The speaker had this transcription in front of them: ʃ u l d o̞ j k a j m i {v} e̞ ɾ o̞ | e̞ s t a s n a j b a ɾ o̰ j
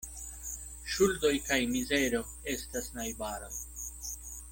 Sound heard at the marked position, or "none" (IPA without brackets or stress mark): z